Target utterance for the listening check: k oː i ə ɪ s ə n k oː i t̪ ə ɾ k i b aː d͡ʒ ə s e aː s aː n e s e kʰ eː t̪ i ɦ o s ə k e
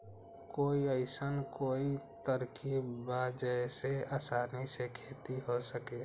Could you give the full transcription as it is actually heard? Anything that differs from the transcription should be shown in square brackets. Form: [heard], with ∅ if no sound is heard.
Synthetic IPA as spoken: k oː i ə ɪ s ə n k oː i t̪ ə ɾ k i b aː d͡ʒ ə s e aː s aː n [i] s e kʰ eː t̪ i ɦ o s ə k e